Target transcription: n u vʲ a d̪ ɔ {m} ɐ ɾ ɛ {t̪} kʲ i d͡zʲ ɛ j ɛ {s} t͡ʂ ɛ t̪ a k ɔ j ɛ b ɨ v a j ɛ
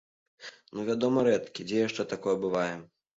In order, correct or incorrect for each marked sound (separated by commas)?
correct, correct, incorrect